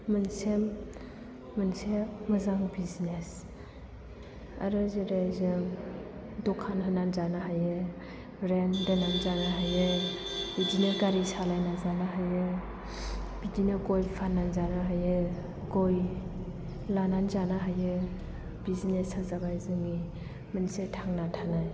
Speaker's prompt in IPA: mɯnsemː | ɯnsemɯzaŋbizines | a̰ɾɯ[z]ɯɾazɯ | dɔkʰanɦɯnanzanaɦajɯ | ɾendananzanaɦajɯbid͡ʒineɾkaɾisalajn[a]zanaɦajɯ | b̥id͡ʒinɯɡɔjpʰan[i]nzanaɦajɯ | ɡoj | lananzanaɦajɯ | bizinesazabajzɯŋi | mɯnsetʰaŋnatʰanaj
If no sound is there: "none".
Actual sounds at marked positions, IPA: z, a, a

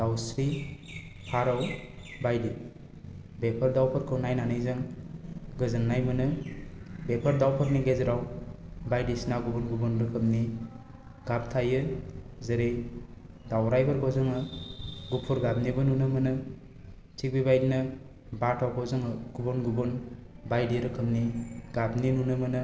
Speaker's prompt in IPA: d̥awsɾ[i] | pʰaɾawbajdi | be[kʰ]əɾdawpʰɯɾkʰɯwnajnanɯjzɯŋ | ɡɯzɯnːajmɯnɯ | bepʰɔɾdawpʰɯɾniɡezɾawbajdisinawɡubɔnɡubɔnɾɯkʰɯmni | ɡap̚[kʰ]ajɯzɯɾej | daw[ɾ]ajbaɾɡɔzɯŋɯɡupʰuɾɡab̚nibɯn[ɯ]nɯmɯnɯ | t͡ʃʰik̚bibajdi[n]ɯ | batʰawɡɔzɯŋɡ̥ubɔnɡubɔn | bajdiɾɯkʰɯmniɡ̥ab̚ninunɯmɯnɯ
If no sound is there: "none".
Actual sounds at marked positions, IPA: i, pʰ, tʰ, ɾ, u, n

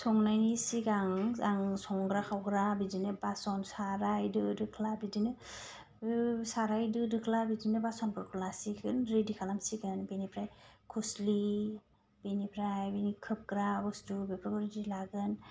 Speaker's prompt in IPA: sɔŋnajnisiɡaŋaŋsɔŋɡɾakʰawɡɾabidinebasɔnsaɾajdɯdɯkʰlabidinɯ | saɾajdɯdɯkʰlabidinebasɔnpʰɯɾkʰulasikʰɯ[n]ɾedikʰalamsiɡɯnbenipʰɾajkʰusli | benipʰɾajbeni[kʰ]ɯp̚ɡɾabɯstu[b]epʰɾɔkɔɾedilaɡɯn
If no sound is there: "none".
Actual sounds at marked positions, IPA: n, kʰ, b

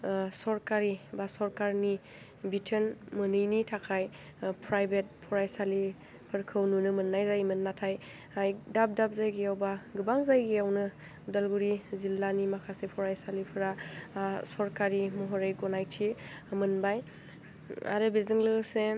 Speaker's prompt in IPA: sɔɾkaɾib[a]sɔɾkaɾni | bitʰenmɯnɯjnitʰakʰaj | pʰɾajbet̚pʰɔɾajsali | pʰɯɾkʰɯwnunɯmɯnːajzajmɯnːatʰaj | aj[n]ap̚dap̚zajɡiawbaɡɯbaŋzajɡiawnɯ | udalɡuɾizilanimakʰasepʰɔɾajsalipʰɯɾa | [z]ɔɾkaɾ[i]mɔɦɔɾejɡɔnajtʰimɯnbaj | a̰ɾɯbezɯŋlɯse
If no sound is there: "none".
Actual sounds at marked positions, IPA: a, d, s, i

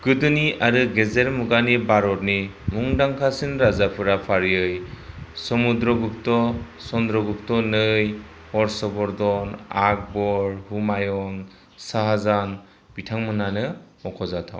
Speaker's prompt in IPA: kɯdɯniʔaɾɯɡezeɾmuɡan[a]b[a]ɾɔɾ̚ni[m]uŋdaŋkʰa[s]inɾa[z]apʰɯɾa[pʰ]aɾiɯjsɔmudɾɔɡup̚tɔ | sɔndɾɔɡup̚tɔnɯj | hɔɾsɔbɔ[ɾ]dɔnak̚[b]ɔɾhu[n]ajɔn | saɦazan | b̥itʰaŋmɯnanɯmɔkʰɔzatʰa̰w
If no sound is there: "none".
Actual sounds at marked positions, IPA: i, a, m, s, z, pʰ, ɾ, b, m

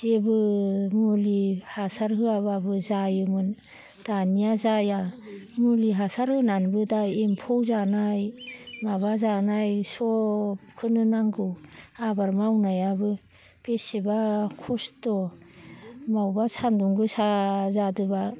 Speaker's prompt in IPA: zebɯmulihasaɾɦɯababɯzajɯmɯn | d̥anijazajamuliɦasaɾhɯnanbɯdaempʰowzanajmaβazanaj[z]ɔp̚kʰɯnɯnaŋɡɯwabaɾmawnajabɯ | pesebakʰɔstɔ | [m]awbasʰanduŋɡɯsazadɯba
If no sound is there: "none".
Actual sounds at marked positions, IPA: s, m

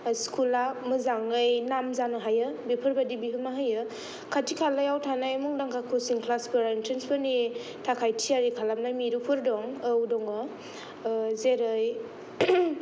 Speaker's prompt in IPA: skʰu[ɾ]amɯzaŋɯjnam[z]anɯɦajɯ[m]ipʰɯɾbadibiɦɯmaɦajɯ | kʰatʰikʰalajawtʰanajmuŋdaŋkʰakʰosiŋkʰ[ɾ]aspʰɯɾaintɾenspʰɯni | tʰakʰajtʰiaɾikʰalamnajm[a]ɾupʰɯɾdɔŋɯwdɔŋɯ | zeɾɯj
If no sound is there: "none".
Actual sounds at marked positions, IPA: l, z, b, l, i

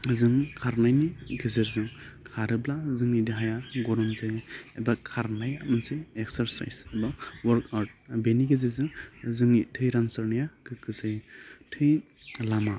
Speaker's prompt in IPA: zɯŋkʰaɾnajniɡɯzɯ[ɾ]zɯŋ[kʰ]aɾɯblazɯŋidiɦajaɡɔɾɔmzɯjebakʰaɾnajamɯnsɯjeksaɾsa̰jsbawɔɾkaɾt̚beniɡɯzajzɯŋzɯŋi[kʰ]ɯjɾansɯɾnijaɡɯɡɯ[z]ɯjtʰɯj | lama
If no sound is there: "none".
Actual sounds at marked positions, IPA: ɾ, kʰ, tʰ, z

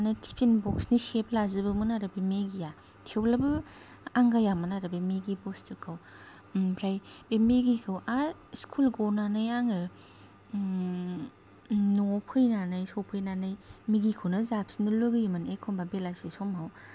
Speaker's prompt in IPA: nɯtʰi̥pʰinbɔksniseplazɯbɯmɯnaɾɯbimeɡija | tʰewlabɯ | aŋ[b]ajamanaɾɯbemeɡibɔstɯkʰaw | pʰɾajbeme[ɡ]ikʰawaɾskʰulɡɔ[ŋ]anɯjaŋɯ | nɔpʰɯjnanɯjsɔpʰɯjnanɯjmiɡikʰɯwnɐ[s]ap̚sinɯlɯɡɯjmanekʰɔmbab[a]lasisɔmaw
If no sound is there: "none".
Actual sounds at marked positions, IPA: ɡ, ɡ, n, z, e

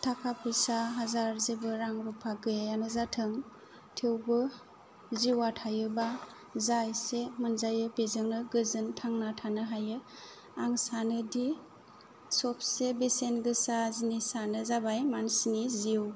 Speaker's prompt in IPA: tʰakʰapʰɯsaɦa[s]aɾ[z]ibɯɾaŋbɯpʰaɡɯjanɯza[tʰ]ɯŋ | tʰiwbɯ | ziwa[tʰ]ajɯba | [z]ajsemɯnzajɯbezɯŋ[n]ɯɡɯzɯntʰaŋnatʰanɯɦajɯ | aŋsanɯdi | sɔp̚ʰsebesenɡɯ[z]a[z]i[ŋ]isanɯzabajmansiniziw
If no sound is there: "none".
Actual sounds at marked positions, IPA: z, z, tʰ, tʰ, z, n, s, z, n

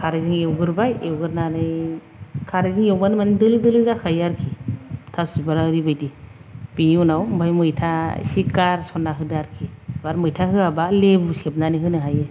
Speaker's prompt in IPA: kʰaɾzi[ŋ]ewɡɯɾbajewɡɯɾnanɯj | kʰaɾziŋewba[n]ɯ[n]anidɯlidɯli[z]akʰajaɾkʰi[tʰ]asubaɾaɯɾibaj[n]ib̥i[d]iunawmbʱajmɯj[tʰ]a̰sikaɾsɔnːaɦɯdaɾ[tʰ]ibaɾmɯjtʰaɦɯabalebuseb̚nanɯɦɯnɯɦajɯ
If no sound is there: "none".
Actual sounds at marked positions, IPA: ŋ, n, m, z, tʰ, d, n, tʰ, kʰ

